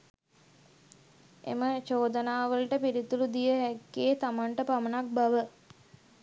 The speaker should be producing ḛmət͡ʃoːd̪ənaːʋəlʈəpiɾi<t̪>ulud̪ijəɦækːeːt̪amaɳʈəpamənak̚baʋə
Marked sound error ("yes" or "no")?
no